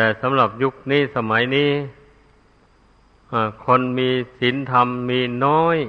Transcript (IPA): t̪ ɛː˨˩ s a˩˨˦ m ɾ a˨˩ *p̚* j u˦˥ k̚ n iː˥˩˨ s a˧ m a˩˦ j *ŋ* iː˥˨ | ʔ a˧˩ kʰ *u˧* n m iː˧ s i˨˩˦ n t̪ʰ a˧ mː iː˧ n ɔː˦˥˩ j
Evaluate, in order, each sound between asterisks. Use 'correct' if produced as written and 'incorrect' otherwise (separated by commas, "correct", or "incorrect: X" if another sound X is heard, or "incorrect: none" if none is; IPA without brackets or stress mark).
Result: correct, incorrect: n, incorrect: o˧